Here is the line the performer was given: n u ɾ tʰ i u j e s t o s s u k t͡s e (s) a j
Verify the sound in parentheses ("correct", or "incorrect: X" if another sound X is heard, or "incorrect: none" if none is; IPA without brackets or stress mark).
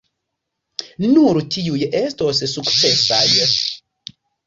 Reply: correct